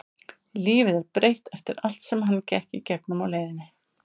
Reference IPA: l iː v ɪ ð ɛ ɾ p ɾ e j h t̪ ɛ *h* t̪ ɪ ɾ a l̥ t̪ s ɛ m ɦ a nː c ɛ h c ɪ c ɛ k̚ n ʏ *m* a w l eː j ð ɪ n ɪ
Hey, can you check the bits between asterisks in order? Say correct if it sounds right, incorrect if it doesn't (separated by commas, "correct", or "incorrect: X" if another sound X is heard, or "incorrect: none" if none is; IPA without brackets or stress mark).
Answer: incorrect: f, correct